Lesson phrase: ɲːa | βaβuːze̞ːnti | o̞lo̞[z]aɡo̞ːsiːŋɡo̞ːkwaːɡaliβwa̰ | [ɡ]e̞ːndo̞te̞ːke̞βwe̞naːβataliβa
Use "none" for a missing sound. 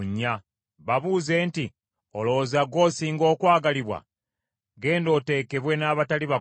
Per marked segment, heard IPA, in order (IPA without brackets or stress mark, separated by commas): z, ɡ